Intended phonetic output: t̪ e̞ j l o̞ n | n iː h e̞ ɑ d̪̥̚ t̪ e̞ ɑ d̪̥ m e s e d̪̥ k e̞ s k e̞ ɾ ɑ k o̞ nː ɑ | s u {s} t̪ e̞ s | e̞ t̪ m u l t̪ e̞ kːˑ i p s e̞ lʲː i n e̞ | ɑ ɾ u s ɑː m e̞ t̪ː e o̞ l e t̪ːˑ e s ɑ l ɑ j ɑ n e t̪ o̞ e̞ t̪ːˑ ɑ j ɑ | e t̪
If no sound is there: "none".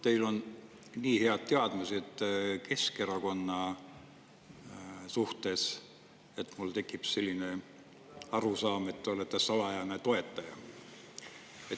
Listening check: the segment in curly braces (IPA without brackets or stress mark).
h